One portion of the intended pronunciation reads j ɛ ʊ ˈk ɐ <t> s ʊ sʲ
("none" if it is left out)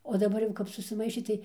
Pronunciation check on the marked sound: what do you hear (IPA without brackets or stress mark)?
p